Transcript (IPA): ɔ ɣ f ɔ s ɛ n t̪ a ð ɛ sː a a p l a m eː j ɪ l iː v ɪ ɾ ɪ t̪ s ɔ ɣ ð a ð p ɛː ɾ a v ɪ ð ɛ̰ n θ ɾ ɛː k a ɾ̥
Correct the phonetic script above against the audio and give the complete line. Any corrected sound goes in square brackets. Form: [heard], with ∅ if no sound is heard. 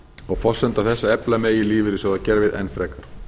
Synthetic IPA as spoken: ɔ ɣ f ɔ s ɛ n t̪ a [θ] ɛ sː a [ɛ] p l a m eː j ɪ l iː v ɪ ɾ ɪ [∅] s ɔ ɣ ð a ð [c] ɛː ɾ a v ɪ ð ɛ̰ n [f] ɾ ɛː k a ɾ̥